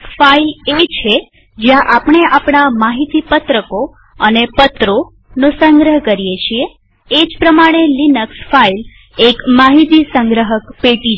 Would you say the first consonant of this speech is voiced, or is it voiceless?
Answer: voiceless